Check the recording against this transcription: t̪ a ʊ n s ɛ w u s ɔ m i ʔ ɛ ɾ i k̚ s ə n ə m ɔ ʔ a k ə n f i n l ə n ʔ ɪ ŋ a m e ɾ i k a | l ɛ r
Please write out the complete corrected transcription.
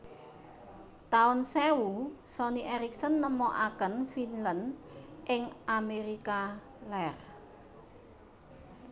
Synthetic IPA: t̪ a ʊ n s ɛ w u s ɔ n i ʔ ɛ ɾ i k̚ s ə nː ə m ɔ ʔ a k ə n f i n l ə n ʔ ɪ ŋ a m e ɾ i k a | l ɛ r